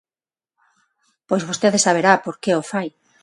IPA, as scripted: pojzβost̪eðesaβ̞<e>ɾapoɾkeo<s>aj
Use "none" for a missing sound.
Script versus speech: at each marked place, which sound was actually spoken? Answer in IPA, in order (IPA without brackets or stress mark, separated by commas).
e, f